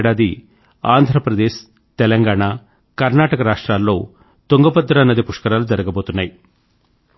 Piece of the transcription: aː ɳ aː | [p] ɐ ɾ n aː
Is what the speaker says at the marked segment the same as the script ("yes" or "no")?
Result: no